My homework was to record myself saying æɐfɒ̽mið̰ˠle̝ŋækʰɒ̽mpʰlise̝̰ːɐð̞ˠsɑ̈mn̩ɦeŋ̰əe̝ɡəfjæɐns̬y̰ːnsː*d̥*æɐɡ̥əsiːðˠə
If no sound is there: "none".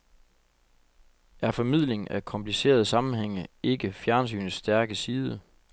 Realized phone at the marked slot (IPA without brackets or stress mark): d̥